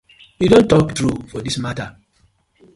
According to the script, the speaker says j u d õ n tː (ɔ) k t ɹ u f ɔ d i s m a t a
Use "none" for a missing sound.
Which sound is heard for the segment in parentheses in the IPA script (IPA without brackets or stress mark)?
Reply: ɔ